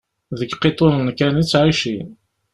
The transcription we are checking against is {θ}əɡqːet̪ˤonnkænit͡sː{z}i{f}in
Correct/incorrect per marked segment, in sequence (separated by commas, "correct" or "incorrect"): incorrect, incorrect, incorrect